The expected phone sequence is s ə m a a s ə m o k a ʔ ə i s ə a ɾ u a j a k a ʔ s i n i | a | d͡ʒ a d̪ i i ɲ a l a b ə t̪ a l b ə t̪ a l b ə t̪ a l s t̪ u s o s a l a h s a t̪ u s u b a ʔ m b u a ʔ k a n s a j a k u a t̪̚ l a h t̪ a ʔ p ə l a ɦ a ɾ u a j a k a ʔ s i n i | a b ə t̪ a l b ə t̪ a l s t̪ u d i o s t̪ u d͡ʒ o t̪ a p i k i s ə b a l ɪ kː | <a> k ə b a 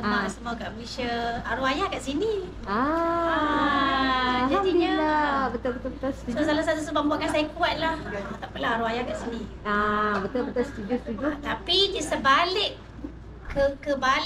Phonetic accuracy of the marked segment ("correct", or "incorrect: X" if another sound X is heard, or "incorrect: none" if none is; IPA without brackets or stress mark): incorrect: ə